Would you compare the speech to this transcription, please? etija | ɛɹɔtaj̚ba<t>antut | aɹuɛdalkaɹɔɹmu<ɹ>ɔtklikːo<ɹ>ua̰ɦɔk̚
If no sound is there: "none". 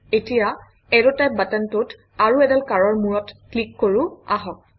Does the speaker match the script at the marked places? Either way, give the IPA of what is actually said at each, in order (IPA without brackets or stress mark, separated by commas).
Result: t, ɹ, ɹ